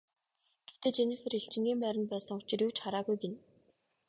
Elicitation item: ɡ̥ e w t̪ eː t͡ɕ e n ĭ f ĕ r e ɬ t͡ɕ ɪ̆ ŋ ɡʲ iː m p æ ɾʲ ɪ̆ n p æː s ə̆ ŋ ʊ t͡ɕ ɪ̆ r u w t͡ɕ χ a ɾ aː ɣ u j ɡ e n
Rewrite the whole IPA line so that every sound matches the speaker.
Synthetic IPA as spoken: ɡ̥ e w t̪ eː t͡ɕ e n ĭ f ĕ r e ɬ t͡ɕ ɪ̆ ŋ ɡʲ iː m p æ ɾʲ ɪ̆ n p æː s ə̆ ŋ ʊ t͡ɕ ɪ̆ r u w t͡ɕ χ a ɾ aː ɣ u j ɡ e n